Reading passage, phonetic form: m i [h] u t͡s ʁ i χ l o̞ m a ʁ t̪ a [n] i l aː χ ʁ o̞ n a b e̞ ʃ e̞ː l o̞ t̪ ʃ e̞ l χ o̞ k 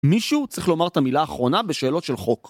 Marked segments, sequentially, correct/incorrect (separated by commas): incorrect, incorrect